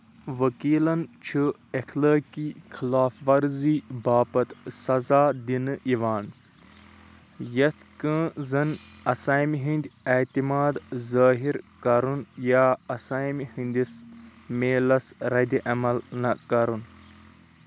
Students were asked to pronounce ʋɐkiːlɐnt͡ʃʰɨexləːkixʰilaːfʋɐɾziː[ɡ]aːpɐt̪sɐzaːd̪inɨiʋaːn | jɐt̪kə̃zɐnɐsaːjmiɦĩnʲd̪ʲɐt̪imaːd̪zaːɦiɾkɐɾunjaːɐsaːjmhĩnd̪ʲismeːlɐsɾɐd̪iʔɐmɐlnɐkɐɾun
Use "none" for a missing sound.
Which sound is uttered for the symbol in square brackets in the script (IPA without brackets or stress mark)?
b